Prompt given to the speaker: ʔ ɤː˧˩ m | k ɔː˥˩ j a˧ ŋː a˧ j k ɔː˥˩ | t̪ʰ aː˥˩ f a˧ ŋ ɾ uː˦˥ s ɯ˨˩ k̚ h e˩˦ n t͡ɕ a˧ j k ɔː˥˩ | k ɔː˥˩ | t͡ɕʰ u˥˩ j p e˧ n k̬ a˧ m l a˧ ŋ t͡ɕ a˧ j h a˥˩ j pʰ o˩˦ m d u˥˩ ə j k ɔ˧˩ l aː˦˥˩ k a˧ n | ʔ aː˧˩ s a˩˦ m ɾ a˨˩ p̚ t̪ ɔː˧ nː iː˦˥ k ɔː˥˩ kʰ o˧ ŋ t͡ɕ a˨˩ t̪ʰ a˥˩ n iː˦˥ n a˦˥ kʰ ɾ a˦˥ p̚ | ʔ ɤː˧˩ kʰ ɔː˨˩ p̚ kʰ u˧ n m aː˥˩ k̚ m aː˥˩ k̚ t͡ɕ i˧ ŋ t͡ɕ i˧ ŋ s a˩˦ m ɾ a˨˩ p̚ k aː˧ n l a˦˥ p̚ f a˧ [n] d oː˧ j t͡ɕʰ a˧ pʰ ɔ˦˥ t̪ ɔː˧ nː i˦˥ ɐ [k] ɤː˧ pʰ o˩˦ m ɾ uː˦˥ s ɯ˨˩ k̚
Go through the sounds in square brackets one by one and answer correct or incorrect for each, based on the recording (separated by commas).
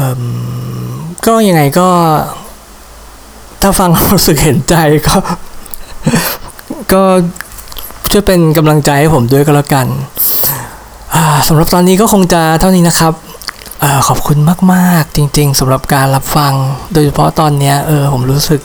incorrect, incorrect